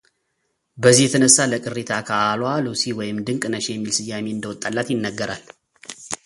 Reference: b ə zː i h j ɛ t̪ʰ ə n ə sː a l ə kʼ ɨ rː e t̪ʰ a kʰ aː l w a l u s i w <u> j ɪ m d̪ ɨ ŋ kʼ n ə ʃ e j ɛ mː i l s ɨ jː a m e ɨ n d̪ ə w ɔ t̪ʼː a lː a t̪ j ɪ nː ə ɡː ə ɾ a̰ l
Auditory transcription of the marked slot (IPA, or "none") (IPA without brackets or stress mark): ɔ